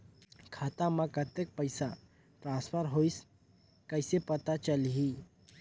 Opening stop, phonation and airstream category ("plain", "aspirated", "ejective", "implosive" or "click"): aspirated